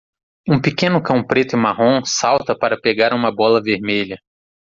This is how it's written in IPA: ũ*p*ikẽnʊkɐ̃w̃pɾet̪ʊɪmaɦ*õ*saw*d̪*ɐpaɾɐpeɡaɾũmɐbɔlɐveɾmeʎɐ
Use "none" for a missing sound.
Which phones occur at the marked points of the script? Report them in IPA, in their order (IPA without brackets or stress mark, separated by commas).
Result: p, õ, t̪